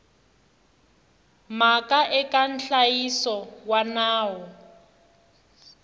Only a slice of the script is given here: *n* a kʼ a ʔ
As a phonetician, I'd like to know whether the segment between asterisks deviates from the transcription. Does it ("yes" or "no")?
yes